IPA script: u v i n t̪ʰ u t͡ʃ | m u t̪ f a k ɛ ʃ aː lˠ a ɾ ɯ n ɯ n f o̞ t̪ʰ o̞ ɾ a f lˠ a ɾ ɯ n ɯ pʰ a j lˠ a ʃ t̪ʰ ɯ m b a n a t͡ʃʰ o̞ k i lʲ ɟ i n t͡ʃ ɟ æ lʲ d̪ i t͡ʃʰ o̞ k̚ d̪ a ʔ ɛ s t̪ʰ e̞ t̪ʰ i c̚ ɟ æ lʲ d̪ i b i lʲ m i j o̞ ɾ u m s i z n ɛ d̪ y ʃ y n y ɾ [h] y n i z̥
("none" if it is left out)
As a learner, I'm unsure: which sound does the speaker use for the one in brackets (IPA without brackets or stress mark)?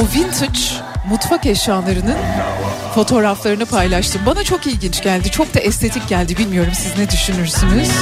s